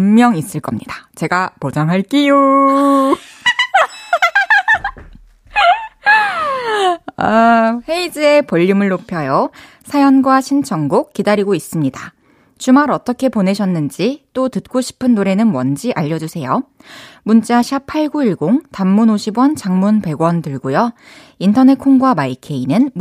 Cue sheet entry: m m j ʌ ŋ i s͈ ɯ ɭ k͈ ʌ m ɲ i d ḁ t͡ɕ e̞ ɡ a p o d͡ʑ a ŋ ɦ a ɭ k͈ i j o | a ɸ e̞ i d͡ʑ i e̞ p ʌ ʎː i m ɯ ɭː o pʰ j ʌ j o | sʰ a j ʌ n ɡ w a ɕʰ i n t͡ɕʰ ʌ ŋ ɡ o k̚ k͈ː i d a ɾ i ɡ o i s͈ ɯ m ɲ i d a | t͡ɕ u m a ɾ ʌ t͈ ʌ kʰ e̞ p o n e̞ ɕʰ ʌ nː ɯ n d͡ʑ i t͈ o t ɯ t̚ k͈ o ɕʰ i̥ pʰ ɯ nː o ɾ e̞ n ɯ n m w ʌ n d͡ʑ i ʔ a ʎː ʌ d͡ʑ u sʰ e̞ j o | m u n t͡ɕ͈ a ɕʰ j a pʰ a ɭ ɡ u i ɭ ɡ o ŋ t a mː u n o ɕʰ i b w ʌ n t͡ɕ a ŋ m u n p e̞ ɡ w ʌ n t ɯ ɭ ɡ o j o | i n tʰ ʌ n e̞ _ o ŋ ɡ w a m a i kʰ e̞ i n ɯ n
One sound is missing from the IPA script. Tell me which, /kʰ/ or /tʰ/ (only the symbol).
kʰ